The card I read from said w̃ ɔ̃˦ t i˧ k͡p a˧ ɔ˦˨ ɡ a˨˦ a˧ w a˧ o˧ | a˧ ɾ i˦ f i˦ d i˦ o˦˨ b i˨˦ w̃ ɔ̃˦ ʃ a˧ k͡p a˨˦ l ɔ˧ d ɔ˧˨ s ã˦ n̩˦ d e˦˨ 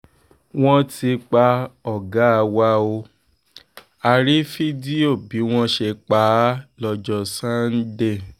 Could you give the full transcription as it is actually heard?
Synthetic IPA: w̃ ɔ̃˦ t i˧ k͡p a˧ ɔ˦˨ ɡ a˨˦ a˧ w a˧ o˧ | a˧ ɾ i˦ f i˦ d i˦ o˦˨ b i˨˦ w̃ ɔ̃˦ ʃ e˧ k͡p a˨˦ l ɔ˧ d͡ʒ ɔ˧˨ s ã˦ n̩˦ d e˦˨